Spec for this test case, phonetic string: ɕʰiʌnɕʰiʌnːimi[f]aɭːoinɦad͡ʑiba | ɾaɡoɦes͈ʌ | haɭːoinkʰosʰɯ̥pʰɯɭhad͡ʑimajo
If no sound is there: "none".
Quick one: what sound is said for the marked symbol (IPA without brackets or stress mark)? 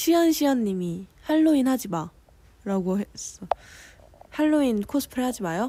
h